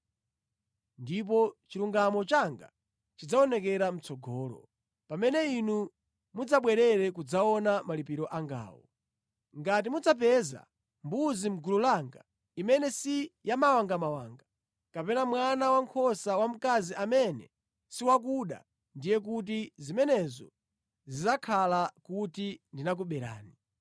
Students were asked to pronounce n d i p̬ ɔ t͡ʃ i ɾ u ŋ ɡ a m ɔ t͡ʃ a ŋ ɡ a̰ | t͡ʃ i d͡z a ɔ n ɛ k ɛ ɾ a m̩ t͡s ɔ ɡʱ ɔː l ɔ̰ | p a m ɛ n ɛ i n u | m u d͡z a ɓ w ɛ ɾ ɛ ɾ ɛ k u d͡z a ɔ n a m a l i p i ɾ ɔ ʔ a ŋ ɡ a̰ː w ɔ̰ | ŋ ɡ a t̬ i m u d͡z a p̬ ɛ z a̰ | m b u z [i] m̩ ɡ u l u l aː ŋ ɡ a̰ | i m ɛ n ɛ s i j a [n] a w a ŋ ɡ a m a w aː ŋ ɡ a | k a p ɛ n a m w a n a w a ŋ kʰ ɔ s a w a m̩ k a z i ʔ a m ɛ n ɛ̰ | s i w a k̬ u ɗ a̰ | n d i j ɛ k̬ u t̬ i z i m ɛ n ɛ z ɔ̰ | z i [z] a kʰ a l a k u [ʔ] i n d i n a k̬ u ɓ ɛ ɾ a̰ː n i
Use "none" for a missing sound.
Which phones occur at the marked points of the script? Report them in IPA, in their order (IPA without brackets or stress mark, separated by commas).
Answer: i, m, z, t